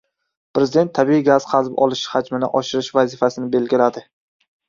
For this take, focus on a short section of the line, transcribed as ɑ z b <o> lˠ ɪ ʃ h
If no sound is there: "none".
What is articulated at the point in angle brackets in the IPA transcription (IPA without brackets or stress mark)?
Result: ɒ